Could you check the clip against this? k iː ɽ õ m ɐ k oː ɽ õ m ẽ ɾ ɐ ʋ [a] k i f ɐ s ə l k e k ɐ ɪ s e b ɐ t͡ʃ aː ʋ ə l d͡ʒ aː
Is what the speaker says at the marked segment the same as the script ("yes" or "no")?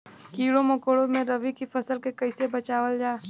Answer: no